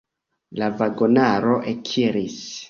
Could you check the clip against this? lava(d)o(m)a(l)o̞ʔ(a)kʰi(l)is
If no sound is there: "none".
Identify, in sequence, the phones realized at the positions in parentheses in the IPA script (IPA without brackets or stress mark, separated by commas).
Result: ɡ, n, ɾ, e, ɾ